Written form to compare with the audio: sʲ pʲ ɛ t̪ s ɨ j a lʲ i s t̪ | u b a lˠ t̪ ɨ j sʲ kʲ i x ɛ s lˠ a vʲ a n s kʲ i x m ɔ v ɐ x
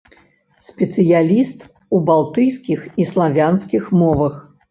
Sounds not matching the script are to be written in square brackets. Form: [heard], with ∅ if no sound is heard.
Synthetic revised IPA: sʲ pʲ ɛ t̪ s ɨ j a lʲ i s t̪ | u b a lˠ t̪ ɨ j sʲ kʲ i x [i] s lˠ a vʲ a n s kʲ i x m ɔ v ɐ x